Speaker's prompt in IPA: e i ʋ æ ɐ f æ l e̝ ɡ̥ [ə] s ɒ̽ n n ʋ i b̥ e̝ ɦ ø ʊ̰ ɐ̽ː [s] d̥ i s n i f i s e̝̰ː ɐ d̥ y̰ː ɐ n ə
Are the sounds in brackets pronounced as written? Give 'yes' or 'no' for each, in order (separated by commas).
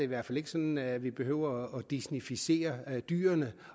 yes, no